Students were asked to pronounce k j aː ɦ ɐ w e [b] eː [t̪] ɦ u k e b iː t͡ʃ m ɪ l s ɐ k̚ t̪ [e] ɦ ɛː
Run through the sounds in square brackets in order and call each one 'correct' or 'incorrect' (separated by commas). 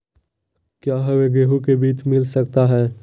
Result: incorrect, incorrect, incorrect